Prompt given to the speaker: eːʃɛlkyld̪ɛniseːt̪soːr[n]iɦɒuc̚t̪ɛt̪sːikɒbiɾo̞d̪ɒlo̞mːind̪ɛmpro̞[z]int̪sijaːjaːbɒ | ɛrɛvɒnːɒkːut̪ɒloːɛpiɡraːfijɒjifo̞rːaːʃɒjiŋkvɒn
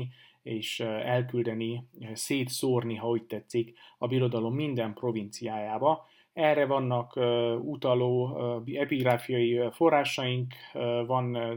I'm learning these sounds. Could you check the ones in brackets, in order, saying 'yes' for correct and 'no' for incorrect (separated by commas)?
yes, no